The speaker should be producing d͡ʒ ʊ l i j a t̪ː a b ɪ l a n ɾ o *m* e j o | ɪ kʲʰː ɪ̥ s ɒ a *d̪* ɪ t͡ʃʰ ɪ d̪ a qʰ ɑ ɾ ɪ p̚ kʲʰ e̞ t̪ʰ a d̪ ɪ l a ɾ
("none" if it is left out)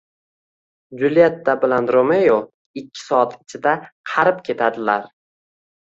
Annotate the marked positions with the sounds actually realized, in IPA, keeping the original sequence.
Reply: m, t̪

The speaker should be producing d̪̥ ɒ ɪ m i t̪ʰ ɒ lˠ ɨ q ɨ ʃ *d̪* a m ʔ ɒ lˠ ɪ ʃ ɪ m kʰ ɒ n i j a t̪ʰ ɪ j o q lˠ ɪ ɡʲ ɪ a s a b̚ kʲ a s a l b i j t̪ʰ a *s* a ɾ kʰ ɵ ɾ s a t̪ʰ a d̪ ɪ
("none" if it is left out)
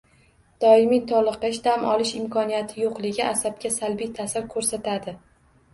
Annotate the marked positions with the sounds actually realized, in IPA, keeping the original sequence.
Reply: d̪, s

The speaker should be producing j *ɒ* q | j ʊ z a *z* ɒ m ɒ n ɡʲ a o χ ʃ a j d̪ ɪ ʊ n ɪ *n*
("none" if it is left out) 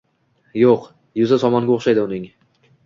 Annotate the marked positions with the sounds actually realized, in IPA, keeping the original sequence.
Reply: o, s, ŋ

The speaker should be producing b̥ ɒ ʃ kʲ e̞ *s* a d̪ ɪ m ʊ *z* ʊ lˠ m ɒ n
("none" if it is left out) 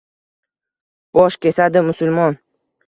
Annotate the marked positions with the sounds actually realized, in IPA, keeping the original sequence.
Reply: s, s

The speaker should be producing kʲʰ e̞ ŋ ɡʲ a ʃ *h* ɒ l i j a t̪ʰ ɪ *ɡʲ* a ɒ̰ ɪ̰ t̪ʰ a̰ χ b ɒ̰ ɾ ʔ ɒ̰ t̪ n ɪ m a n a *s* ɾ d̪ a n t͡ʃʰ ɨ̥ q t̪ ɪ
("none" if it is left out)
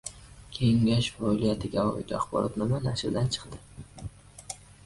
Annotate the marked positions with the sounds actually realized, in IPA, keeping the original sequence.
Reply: f, ɡʲ, ʃ

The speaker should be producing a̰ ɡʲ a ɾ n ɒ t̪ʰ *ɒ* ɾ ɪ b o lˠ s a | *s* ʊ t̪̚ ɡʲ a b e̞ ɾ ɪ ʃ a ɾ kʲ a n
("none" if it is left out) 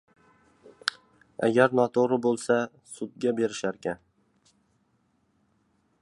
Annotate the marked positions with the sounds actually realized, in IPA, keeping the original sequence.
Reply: o, s

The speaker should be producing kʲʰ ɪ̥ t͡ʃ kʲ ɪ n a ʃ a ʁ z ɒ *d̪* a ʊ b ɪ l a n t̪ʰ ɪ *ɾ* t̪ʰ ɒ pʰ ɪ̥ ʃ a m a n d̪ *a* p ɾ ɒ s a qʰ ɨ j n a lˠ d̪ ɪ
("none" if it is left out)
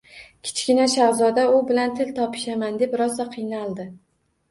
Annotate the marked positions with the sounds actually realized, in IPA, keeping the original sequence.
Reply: d̪, l, e

